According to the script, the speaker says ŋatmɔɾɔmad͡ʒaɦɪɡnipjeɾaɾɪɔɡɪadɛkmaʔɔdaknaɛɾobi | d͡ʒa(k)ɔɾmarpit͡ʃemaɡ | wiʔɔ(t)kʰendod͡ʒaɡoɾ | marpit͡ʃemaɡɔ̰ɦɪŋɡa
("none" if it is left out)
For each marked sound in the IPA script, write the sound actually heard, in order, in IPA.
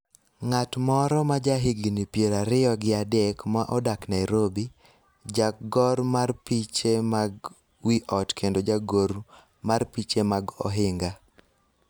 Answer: ɡ, t

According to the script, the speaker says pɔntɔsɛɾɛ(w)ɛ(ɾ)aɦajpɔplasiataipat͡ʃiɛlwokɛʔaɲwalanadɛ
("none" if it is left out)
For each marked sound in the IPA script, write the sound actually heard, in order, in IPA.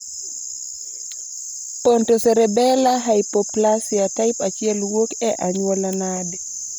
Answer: b, l

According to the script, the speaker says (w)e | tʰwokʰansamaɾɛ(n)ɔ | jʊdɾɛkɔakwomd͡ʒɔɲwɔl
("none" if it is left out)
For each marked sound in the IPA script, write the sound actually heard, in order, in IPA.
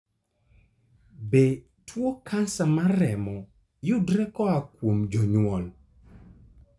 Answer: b, m

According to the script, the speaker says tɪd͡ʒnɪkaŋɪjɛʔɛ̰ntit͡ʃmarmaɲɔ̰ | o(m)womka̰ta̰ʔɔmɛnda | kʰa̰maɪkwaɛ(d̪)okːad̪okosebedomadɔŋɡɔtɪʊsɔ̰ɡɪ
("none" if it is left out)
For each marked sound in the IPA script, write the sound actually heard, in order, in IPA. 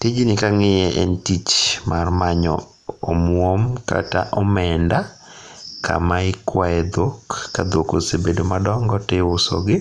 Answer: m, d̪

